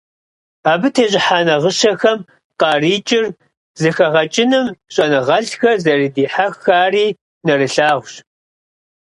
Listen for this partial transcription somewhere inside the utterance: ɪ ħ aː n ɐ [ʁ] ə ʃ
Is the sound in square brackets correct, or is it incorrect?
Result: correct